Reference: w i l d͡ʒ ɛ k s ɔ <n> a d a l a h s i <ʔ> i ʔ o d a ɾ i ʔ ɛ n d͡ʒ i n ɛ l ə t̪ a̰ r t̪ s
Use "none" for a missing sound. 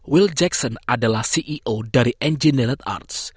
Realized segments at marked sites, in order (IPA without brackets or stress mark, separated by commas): n, ʔ